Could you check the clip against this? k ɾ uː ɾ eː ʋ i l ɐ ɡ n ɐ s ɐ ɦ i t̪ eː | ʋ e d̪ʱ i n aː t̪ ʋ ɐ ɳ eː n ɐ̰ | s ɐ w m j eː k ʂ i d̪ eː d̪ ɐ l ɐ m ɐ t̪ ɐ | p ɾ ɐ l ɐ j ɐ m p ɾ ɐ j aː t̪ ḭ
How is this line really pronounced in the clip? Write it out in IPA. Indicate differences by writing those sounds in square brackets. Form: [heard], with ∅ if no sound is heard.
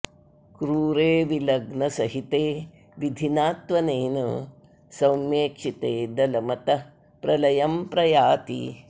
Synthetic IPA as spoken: k ɾ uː ɾ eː ʋ i l ɐ ɡ n ɐ s ɐ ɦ i t̪ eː | ʋ [i] d̪ʱ i n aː t̪ ʋ ɐ [n] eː n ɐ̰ | s ɐ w m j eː k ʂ i [t̪] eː d̪ ɐ l ɐ m ɐ t̪ ɐ | p ɾ ɐ l ɐ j ɐ m p ɾ ɐ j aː t̪ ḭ